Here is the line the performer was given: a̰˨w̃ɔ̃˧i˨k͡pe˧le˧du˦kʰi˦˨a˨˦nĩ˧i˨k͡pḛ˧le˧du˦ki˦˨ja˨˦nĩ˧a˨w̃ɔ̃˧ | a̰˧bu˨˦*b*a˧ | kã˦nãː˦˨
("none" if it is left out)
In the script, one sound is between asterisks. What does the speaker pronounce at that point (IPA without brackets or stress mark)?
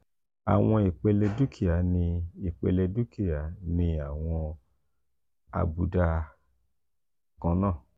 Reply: d